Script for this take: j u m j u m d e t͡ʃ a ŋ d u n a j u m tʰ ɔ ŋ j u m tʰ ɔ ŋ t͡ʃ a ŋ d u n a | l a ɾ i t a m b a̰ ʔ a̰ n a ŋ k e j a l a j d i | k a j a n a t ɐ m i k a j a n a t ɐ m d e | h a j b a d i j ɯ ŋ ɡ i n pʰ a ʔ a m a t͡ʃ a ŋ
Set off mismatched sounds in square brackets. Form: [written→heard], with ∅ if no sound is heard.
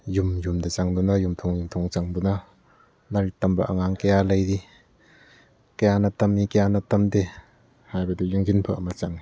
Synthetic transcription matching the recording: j u m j u m d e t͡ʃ a ŋ d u n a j u m tʰ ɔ ŋ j u m tʰ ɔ ŋ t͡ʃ a ŋ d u n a | l a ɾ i t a m b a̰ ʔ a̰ [n→ŋ] a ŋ k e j a l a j d i | k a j a n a t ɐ m i k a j a n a t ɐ m d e | h a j b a d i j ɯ ŋ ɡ i n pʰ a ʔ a m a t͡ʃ a ŋ